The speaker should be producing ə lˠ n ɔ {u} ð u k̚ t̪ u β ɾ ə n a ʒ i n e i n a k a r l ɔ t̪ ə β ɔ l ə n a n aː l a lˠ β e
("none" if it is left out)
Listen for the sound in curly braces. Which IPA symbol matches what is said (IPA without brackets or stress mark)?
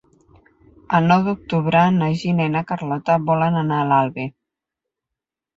w